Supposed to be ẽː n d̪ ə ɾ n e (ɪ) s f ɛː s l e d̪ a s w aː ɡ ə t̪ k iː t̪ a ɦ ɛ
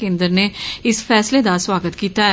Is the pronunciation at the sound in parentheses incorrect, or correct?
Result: correct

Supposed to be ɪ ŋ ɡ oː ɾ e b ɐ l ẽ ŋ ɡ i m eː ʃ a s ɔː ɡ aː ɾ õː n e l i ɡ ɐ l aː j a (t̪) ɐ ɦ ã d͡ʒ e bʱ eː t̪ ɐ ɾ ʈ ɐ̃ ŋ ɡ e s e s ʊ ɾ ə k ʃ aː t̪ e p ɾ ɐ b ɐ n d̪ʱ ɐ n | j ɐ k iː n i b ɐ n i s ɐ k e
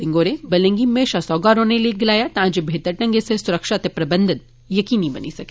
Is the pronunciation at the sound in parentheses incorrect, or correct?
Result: correct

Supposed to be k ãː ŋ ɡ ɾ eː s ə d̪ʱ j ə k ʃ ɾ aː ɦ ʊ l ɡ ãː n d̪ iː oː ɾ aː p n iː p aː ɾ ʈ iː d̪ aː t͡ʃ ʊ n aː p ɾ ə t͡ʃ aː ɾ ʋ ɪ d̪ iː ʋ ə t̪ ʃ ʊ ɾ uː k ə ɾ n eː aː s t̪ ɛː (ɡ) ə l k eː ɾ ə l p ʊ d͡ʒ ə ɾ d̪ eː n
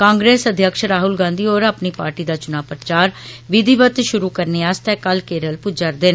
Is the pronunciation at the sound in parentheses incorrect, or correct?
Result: incorrect: k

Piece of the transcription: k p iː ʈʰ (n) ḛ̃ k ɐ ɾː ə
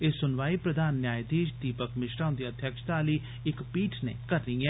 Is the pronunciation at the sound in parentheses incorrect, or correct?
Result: correct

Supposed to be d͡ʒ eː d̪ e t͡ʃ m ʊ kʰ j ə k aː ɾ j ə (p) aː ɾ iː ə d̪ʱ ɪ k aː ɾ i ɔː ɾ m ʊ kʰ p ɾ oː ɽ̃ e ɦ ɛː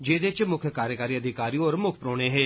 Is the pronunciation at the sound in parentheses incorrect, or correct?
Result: incorrect: k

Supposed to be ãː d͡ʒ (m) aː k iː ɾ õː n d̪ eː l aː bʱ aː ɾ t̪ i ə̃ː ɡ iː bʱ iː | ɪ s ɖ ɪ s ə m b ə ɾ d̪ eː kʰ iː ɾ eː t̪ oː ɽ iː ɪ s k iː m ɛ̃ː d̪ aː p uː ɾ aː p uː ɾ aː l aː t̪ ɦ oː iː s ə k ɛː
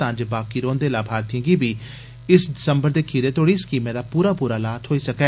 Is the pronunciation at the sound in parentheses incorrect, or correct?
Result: incorrect: b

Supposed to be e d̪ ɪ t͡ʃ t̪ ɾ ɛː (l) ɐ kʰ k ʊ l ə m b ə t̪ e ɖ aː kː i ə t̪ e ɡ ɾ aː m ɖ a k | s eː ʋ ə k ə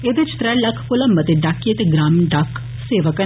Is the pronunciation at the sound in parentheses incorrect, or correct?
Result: correct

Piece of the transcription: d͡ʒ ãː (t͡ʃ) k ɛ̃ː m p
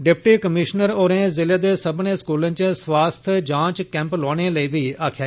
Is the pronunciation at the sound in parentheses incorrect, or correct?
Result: correct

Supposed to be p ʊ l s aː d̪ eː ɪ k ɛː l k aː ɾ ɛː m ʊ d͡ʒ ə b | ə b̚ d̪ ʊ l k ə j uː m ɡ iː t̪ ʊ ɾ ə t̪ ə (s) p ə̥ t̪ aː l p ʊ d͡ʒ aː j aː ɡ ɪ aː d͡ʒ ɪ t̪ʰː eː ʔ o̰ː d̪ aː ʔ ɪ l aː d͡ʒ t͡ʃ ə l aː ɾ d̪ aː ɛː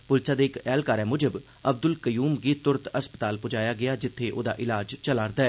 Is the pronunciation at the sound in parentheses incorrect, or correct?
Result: correct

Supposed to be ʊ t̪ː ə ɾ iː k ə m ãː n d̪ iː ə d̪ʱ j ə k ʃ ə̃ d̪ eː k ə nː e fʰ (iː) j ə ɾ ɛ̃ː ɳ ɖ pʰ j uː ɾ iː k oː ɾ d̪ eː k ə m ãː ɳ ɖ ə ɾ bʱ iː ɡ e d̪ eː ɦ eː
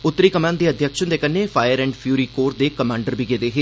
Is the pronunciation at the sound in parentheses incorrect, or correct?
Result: incorrect: aː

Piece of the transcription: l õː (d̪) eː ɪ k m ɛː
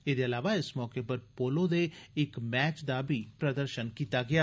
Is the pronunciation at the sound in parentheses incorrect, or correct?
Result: correct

